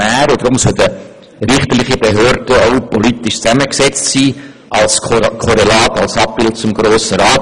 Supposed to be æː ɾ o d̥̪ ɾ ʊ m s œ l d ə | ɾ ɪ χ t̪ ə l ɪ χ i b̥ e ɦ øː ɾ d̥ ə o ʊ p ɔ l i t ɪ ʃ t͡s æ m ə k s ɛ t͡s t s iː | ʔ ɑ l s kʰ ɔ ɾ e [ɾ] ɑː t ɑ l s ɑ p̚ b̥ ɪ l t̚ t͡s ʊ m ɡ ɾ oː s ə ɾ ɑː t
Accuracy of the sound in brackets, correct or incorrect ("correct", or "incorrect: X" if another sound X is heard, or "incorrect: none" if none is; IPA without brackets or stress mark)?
incorrect: l